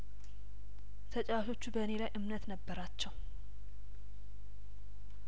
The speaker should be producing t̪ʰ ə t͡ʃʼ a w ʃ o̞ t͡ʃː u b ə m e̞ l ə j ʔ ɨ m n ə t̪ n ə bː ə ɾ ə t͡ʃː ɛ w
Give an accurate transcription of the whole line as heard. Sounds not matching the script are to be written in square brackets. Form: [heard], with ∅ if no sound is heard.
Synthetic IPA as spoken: t̪ʰ ə t͡ʃʼ a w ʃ o̞ t͡ʃː u b ə [n] e̞ l [a] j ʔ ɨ m n ə t̪ n ə bː ə ɾ [a] t͡ʃː ɛ w